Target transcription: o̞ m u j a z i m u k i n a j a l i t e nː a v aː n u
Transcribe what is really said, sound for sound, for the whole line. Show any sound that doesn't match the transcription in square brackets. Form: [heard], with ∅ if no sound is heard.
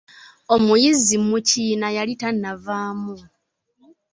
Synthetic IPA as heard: o̞ m u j [i] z i m u [c] i n a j a l i t [a] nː a v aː [m] u